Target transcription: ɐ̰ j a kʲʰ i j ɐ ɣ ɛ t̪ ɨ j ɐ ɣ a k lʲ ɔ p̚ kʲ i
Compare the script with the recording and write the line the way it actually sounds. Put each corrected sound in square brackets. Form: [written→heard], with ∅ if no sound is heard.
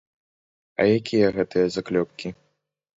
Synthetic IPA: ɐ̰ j a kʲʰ i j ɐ ɣ ɛ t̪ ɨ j ɐ [ɣ→z] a k lʲ ɔ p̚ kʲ i